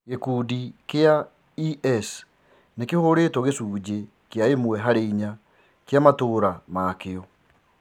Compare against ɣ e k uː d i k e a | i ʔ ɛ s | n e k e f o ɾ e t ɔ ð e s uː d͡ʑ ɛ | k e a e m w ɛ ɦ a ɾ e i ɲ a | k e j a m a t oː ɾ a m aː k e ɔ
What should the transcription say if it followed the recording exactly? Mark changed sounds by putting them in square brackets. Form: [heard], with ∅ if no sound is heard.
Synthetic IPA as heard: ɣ e k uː d i k e a | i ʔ ɛ s | n e k e [h] o ɾ e t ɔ [ɣ] e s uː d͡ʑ [e] | k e a e m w ɛ ɦ a ɾ e i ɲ a | k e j a m a t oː ɾ a m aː k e ɔ